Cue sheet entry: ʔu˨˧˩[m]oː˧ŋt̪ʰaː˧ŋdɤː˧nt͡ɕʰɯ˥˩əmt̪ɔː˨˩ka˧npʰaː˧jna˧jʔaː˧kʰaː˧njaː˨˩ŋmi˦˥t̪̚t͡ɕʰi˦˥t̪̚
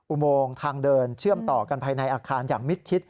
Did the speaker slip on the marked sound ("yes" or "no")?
no